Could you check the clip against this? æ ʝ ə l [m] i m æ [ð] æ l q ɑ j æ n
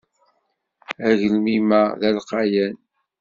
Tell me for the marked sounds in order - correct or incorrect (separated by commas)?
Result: correct, correct